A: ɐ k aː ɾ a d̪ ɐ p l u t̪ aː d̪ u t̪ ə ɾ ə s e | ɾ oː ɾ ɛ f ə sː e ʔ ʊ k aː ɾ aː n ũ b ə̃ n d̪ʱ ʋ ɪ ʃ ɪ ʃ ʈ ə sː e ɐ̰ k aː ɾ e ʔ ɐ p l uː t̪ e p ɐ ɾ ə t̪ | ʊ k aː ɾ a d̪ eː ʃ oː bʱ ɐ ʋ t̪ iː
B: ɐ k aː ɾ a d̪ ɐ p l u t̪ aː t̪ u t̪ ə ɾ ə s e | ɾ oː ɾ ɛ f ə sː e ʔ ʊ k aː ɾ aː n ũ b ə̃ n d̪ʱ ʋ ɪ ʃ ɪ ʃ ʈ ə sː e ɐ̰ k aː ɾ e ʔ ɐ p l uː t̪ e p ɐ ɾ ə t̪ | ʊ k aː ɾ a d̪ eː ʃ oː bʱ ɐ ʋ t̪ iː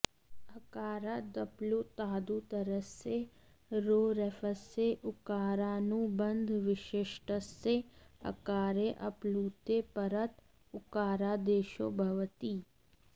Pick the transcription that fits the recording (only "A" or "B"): A